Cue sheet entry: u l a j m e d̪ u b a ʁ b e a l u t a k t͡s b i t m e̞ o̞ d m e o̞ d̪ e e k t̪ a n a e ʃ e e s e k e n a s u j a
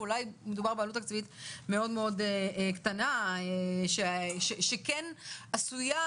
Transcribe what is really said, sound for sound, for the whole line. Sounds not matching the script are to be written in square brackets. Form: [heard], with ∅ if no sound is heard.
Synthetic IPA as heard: u l a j m e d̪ u b a ʁ b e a l u t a k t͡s [v] i t m e̞ o̞ d m e o̞ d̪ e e k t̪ a n a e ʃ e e [ʃ] e k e n a s u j a